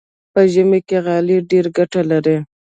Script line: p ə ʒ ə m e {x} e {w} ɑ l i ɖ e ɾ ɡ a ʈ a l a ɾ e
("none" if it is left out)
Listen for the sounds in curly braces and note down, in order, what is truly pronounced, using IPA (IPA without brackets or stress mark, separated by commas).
k, ɣ